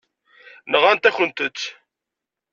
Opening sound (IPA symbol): n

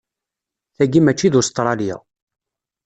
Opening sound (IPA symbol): θ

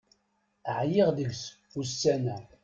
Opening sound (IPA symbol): ʕ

